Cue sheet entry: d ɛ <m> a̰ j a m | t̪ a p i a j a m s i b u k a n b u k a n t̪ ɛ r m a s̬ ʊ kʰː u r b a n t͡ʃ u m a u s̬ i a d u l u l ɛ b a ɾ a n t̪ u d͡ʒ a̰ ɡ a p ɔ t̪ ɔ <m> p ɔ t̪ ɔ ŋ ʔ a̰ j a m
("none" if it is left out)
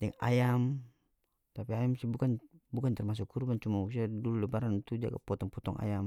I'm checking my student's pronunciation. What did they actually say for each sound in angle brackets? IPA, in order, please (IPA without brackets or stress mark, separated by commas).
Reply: ŋ, ŋ